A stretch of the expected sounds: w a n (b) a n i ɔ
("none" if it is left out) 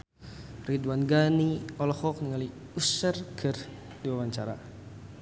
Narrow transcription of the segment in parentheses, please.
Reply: ɡ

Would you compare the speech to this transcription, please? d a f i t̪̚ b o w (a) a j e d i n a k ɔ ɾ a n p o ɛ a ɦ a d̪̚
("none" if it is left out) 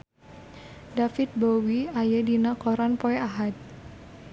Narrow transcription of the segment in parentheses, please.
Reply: i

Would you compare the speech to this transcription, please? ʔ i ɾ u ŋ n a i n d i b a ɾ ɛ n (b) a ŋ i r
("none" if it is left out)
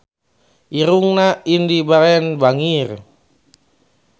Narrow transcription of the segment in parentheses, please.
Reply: b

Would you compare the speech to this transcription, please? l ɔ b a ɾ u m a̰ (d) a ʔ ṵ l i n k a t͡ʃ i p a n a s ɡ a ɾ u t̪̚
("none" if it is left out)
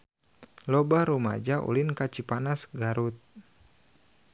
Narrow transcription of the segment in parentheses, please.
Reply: d͡ʒ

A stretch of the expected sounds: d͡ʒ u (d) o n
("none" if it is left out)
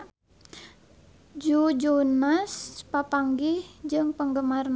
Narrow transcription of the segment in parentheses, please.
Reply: d͡ʒ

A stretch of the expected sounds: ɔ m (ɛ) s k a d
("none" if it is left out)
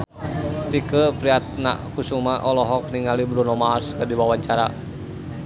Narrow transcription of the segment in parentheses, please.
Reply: a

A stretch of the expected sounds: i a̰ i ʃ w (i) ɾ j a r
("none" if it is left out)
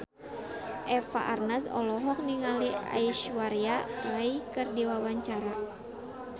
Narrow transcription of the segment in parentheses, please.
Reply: a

